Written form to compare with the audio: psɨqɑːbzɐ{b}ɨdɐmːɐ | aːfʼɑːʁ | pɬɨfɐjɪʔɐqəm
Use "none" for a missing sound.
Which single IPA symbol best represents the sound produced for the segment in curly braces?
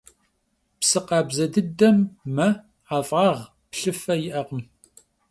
d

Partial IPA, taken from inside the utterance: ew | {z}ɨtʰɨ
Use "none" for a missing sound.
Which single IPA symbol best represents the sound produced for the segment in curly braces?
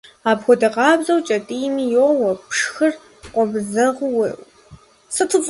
s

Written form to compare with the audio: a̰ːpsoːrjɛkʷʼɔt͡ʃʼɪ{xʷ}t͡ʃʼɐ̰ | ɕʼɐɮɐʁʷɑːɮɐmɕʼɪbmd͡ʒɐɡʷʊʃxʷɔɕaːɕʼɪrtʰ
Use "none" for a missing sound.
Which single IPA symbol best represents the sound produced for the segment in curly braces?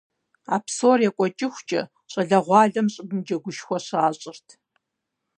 xʷ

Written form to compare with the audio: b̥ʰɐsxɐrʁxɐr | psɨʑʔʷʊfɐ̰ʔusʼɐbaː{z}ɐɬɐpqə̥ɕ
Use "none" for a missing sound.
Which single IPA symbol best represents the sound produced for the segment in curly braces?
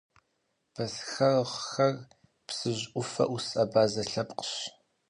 z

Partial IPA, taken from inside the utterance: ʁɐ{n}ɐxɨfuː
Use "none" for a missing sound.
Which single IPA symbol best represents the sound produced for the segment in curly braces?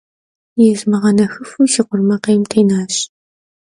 n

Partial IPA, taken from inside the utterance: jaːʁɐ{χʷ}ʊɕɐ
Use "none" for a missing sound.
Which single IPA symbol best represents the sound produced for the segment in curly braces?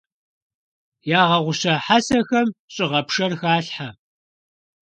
ʁʷ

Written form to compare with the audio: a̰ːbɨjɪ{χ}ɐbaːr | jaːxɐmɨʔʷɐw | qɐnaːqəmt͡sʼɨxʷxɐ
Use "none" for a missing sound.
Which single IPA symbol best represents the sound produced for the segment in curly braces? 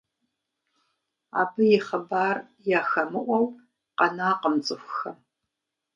χ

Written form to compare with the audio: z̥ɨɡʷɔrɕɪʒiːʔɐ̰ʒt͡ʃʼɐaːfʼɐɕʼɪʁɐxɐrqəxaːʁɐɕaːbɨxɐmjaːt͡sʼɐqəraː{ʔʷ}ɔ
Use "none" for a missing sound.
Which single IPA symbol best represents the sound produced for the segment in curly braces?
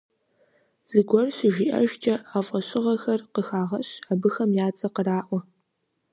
ʔʷ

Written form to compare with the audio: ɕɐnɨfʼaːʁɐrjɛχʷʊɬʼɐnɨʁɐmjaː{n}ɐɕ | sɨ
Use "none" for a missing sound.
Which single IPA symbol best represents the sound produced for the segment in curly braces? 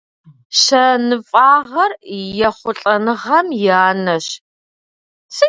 n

